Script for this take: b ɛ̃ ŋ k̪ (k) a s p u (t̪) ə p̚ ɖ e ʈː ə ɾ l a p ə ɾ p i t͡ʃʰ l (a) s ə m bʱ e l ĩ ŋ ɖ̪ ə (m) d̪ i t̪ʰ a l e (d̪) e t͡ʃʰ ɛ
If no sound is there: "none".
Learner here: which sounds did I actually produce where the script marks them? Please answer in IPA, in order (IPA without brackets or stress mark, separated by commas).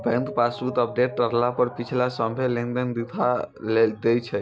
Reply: p, t̪, a, n, d̪